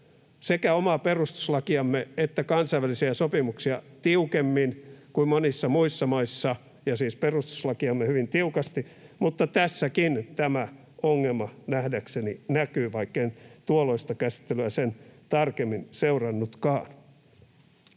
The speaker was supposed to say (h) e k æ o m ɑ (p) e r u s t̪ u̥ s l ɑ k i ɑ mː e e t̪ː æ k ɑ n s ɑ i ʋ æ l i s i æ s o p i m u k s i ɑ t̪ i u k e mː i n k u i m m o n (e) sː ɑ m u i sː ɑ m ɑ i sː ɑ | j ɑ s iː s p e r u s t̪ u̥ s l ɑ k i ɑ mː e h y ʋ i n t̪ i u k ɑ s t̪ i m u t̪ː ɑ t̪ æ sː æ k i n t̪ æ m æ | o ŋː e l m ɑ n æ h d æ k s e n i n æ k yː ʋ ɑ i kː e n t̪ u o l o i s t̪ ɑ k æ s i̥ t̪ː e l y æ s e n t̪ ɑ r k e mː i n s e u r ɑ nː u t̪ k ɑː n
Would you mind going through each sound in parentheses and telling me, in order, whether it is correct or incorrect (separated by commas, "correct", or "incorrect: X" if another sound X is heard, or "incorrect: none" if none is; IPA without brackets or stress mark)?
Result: incorrect: s, correct, incorrect: i